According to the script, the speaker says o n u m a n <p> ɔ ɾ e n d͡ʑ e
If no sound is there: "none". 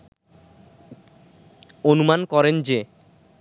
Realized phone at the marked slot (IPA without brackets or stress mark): k